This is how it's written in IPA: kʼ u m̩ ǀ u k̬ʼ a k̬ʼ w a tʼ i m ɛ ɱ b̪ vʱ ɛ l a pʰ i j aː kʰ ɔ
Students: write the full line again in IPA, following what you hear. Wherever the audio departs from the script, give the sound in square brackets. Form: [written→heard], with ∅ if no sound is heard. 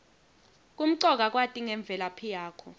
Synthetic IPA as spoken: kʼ u m̩ ǀ [u→ɔ] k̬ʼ a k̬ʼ w a tʼ i [m→ŋ] ɛ ɱ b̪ vʱ ɛ l a pʰ i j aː kʰ ɔ